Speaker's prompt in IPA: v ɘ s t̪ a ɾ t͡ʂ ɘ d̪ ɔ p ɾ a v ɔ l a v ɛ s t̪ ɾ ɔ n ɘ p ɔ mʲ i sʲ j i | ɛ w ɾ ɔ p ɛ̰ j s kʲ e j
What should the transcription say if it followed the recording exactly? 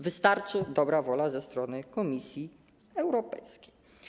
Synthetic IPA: v ɘ s t̪ a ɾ t͡ʂ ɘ d̪ ɔ b ɾ a v ɔ l a z ɛ s t̪ ɾ ɔ n ɘ k ɔ mʲ i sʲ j i | ɛ w ɾ ɔ p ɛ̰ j s kʲ e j

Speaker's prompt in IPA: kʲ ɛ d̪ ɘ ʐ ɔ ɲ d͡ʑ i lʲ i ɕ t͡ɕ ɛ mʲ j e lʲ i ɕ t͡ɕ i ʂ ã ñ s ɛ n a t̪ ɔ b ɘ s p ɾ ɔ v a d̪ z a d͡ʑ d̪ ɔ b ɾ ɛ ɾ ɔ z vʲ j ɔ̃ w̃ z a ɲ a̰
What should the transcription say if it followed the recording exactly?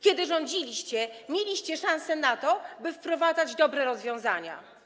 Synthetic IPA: kʲ ɛ d̪ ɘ ʐ ɔ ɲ d͡ʑ i lʲ i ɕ t͡ɕ ɛ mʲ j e lʲ i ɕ t͡ɕ ɛ ʂ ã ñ s ɛ n a t̪ ɔ b ɘ f p ɾ ɔ v a d̪ z a d͡ʑ d̪ ɔ b ɾ ɛ ɾ ɔ z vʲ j ɔ̃ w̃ z a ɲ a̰

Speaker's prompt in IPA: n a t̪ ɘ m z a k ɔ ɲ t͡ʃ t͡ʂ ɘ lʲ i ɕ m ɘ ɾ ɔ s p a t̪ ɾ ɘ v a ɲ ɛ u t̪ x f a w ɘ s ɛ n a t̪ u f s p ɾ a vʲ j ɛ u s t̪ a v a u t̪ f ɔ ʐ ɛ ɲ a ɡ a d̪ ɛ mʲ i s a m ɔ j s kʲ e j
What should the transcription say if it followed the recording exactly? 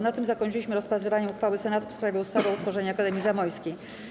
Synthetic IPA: n a t̪ ɘ m z a k ɔ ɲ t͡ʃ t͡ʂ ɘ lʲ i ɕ m ɘ ɾ ɔ s p a t̪ ɾ ɘ v a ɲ ɛ u x f a w ɘ s ɛ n a t̪ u f s p ɾ a vʲ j ɛ u s t̪ a v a u t̪ f ɔ ʐ ɛ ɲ a k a d̪ ɛ mʲ i z a m ɔ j s kʲ e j

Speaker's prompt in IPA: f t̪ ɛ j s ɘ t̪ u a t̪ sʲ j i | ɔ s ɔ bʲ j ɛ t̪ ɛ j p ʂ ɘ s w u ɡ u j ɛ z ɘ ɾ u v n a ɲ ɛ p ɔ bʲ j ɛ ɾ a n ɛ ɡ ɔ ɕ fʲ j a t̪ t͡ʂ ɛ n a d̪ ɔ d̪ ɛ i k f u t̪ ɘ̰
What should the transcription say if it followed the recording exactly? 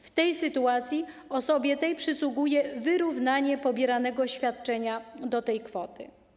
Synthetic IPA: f t̪ ɛ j s ɘ t̪ u a t̪ sʲ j i | ɔ s ɔ bʲ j ɛ t̪ ɛ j p ʂ ɘ s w u ɡ u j ɛ v ɘ ɾ u v n a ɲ ɛ p ɔ bʲ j ɛ ɾ a n ɛ ɡ ɔ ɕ fʲ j a t̪ t͡ʂ ɛ ɲ a d̪ ɔ t̪ ɛ j k f ɔ t̪ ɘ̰

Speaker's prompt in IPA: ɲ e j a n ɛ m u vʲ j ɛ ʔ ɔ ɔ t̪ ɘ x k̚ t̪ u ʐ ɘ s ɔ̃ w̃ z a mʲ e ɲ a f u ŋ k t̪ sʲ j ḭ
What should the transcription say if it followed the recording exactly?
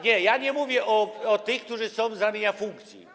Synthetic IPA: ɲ ɛ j a ɲ ɛ m u vʲ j ɛ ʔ ɔ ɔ t̪ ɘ x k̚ t̪ u ʐ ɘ s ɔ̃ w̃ z a mʲ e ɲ a f u ŋ k t̪ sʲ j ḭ

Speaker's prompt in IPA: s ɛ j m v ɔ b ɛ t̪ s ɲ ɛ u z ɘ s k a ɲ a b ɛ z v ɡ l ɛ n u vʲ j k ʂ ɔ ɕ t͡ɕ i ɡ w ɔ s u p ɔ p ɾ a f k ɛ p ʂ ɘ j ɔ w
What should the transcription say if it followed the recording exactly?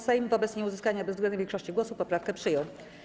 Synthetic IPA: s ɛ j m v ɔ b ɛ t̪ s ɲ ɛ u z ɘ s k a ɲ a b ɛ z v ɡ l ɛ n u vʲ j k ʂ ɔ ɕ t͡ɕ i ɡ w ɔ s u p ɔ p ɾ a f k ɛ p ʂ ɘ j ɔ w

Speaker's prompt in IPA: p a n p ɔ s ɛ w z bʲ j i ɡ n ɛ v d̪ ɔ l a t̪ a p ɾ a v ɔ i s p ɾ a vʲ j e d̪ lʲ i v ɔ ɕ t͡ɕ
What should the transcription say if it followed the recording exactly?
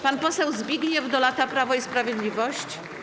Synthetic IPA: p a n p ɔ s ɛ w z bʲ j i ɡ ɲ ɛ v d̪ ɔ l a t̪ a p ɾ a v ɔ i s p ɾ a vʲ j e d̪ lʲ i v ɔ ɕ t͡ɕ

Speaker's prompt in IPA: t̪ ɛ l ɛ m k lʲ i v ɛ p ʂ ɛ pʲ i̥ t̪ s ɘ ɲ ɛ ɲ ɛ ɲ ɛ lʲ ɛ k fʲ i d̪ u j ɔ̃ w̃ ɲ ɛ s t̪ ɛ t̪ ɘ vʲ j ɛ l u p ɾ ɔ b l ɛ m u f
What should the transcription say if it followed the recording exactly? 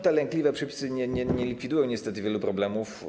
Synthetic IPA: t̪ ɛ l ɛ ŋ k lʲ i v ɛ p ʂ ɛ pʲ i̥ s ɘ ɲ ɛ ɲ ɛ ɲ ɛ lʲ i k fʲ i d̪ u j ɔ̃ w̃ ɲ ɛ s t̪ ɛ t̪ ɘ vʲ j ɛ l u p ɾ ɔ b l ɛ m u f

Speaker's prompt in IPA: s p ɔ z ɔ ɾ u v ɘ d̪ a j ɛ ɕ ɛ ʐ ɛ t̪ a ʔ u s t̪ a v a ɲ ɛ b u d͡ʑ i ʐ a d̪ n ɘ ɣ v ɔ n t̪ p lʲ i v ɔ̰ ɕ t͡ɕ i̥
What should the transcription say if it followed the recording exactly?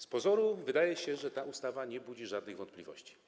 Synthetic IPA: s p ɔ z ɔ ɾ u v ɘ d̪ a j ɛ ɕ ɛ ʐ ɛ t̪ a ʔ u s t̪ a v a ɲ ɛ b u d͡ʑ i ʐ a d̪ n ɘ ɣ v ɔ n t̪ p lʲ i v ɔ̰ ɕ t͡ɕ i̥

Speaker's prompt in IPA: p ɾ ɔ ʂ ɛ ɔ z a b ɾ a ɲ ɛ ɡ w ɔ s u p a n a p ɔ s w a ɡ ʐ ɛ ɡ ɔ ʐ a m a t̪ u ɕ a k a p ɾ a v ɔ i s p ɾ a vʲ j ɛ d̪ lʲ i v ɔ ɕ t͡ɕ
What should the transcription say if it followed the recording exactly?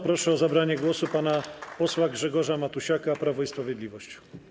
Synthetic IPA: p ɾ ɔ ʂ ɛ ɔ z a b ɾ a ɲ ɛ ɡ w ɔ s u p a n a p ɔ s w a ɡ ʐ ɛ ɡ ɔ ʐ a m a t̪ u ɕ a k a p ɾ a v ɔ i s p ɾ a vʲ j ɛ d̪ lʲ i v ɔ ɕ t͡ɕ

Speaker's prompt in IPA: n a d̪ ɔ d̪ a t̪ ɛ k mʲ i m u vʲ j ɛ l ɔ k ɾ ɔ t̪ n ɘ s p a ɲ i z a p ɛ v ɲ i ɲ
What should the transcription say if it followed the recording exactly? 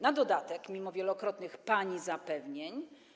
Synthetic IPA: n a d̪ ɔ d̪ a t̪ ɛ k mʲ i m ɔ vʲ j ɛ l ɔ k ɾ ɔ t̪ n ɘ x p a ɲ i z a p ɛ v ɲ e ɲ

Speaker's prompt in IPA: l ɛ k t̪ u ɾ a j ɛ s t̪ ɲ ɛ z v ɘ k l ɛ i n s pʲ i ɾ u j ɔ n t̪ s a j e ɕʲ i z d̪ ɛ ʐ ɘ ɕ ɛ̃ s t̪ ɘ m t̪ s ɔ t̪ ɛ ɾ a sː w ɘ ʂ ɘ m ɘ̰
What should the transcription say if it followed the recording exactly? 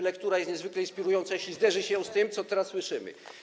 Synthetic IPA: l ɛ k t̪ u ɾ a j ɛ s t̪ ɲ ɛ z v ɘ k l ɛ i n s pʲ i ɾ u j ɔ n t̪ s a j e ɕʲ i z d̪ ɛ ʐ ɘ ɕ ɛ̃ s t̪ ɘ m t̪ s ɔ t̪ ɛ ɾ a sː w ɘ ʂ ɘ m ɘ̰

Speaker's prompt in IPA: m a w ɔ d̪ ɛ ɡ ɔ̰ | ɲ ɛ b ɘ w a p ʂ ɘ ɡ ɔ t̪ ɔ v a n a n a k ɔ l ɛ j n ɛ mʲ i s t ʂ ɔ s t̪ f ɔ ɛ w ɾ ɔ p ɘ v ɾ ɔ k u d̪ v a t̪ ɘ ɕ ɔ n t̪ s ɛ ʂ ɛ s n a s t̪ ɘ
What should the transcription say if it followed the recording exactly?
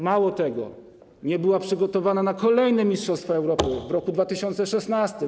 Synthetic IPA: m a w ɔ t̪ ɛ ɡ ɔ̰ | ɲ ɛ b ɘ w a p ʂ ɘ ɡ ɔ t̪ ɔ v a n a n a k ɔ l ɛ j n ɛ mʲ i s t ʂ ɔ s t̪ f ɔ ɛ w ɾ ɔ p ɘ v ɾ ɔ k u d̪ v a t̪ ɘ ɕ ɔ n t̪ s ɛ ʂ ɛ s n a s t̪ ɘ

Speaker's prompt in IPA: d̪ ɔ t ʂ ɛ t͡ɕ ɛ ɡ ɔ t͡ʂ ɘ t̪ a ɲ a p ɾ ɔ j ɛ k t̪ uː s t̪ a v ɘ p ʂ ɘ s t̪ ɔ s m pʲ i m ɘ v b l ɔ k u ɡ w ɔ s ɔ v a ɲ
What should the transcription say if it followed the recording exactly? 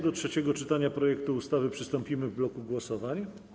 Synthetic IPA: d̪ ɔ t ʂ ɛ t͡ɕ ɛ ɡ ɔ t͡ʂ ɘ t̪ a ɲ a p ɾ ɔ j ɛ k t̪ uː s t̪ a v ɘ p ʂ ɘ s t̪ ɔ m pʲ i m ɘ v b l ɔ k u ɡ w ɔ s ɔ v a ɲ

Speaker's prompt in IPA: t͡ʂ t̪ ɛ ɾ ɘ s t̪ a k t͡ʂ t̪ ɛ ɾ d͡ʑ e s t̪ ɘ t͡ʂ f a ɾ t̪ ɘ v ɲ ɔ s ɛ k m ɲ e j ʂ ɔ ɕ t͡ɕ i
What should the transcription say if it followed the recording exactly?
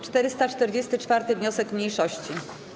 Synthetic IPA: t͡ʂ t̪ ɛ ɾ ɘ s t̪ a t͡ʂ t̪ ɛ ɾ d͡ʑ e s t̪ ɘ t͡ʂ f a ɾ t̪ ɘ v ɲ ɔ s ɛ k m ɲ e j ʂ ɔ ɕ t͡ɕ i

